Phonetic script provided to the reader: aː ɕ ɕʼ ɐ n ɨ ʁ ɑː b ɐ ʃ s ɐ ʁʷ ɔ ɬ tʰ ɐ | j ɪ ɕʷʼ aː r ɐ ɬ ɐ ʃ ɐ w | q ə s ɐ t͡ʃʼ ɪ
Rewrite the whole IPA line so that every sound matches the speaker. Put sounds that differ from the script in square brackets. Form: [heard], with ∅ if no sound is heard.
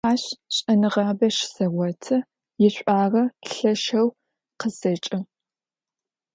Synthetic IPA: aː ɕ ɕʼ ɐ n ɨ ʁ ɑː b ɐ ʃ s ɐ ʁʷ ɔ [∅] tʰ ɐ | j ɪ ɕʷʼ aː r ɐ ɬ ɐ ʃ ɐ w | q ə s ɐ t͡ʃʼ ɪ